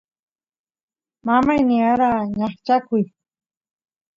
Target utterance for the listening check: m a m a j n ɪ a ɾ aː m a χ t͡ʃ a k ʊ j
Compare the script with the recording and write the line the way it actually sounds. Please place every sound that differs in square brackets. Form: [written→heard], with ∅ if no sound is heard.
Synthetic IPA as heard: m a m a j n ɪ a ɾ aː [m→ɲ] a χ t͡ʃ a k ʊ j